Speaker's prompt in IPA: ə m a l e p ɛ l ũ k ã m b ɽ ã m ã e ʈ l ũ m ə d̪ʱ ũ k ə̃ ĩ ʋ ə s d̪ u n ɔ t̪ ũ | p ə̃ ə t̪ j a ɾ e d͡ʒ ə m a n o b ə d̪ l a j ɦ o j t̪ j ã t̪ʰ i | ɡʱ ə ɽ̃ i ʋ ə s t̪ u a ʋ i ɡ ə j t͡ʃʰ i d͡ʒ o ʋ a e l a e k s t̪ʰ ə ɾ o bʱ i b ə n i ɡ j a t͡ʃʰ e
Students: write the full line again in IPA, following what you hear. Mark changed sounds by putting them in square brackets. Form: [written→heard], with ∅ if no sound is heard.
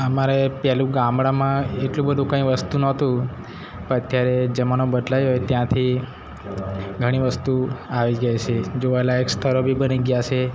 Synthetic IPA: ə m a [l→ɾ] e p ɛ l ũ [k→ɡ] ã m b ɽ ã m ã e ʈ l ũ [m→b] ə d̪ʱ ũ k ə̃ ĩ ʋ ə s [d̪→t̪] u n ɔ t̪ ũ | p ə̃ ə t̪ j a ɾ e d͡ʒ ə m a n o b ə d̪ l a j ɦ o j t̪ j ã t̪ʰ i | ɡʱ ə ɽ̃ i ʋ ə s t̪ u a ʋ i ɡ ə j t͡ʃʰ [i→e] d͡ʒ o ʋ a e l a e k s t̪ʰ ə ɾ o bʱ i b ə n i ɡ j a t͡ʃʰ e

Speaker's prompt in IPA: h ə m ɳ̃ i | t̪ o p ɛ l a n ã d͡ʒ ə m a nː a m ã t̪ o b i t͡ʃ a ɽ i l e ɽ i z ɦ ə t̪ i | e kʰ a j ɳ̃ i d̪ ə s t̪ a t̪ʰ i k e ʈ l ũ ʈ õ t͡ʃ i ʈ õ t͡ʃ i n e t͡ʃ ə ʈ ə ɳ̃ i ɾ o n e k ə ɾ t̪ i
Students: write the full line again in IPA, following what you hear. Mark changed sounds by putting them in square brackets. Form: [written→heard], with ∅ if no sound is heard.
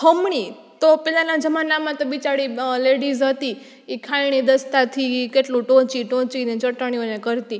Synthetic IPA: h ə m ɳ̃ i | t̪ o p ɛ l a n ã d͡ʒ ə m a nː a m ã t̪ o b i t͡ʃ a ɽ i l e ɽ i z ɦ ə t̪ i | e kʰ a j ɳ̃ i d̪ ə s t̪ a t̪ʰ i k e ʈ l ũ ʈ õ t͡ʃ i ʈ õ t͡ʃ i n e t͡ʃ ə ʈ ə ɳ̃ i [ɾ→∅] o n e k ə ɾ t̪ i

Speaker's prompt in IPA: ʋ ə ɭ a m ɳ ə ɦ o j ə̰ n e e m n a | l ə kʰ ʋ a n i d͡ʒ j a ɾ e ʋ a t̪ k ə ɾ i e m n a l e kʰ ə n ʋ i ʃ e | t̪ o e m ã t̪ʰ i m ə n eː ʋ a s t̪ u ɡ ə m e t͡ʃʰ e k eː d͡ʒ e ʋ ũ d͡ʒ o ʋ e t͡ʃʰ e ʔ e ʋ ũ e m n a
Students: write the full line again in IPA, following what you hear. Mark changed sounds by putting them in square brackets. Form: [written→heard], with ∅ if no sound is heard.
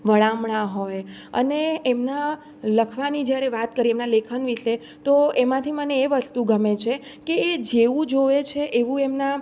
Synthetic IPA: ʋ ə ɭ a m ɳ [ə→a] ɦ o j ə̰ n e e m n a | l ə kʰ ʋ a n i d͡ʒ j a ɾ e ʋ a t̪ k ə ɾ i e m n a l e kʰ ə n ʋ i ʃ e | t̪ o e m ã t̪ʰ i m ə n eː ʋ [a→ə] s t̪ u ɡ ə m e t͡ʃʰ e k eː d͡ʒ e ʋ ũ d͡ʒ o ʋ e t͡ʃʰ e ʔ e ʋ ũ e m n a

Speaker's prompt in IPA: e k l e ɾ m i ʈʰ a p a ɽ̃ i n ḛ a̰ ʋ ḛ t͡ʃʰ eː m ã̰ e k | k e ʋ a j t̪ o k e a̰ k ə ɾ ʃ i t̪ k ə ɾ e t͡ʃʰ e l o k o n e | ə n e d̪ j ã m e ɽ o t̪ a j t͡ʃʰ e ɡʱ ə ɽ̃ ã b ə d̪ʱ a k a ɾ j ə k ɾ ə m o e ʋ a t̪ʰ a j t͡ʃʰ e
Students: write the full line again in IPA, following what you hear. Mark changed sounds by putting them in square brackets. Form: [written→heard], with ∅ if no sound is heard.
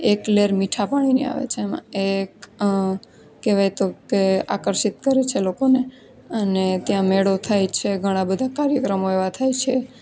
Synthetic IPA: e k l e ɾ m i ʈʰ a p a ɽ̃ i n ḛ a̰ ʋ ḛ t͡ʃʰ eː m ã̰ e k | k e ʋ a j t̪ o k e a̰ k ə ɾ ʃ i t̪ k ə ɾ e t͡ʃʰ e l o k o n e | ə n e [d̪→t̪] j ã m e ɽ o [t̪→t̪ʰ] a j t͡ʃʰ e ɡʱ ə ɽ̃ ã b ə d̪ʱ a k a ɾ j ə k ɾ ə m o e ʋ a t̪ʰ a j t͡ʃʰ e

